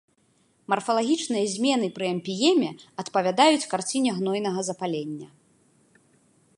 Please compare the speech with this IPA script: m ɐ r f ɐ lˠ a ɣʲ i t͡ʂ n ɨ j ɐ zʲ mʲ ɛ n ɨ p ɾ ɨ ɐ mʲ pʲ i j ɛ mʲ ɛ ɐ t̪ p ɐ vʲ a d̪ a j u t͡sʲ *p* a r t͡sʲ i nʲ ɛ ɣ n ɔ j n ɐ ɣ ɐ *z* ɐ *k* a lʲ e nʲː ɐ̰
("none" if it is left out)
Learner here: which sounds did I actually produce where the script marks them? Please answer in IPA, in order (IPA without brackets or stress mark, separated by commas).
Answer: k, z, p